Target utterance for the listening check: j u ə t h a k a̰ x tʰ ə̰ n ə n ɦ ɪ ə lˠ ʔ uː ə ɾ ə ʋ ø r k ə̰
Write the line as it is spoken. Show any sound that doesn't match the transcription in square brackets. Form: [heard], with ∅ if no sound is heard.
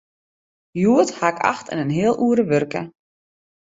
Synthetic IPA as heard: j u ə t h a k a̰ x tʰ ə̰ n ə n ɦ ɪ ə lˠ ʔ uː ə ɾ ə ʋ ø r k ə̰